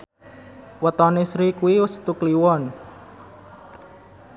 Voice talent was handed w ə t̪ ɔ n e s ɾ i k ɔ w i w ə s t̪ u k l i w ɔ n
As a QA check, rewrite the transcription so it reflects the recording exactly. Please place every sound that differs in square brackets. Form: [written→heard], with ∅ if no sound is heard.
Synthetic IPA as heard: w ə t̪ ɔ n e s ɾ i k [ɔ→u] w i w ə s t̪ u k l i w ɔ n